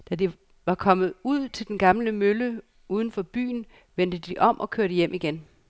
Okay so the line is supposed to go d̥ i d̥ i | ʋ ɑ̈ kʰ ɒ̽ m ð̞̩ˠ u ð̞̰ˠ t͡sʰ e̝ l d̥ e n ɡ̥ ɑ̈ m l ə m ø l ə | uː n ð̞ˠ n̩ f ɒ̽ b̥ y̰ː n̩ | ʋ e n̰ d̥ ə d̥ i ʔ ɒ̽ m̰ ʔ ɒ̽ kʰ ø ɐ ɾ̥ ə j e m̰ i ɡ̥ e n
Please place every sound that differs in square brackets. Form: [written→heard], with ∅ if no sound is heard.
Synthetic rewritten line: d̥ [i→æ] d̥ i | ʋ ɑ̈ kʰ ɒ̽ m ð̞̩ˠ u ð̞̰ˠ t͡sʰ e̝ l d̥ e n ɡ̥ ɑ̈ m l ə m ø l ə | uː [n→∅] ð̞ˠ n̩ f ɒ̽ b̥ y̰ː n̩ | ʋ e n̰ d̥ ə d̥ i ʔ ɒ̽ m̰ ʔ ɒ̽ kʰ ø ɐ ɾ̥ ə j e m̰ i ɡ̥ e n